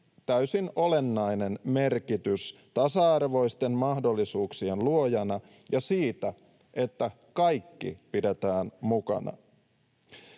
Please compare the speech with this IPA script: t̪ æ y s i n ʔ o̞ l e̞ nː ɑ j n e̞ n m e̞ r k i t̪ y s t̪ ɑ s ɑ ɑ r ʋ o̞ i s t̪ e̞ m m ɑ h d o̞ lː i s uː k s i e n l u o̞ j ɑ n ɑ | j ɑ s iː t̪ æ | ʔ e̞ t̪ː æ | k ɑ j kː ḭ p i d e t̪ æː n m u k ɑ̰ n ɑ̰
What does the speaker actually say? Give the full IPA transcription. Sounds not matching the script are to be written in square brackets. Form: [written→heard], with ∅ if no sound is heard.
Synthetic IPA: t̪ æ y s i n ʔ o̞ l e̞ nː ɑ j n e̞ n m e̞ r k i t̪ y s t̪ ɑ s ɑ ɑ r ʋ o̞ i s t̪ e̞ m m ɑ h d o̞ lː i s uː k s i e n l u o̞ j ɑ n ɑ | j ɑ s iː t̪ æ | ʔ e̞ t̪ː æ | k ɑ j kː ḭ p i d e t̪ æː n m u k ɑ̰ n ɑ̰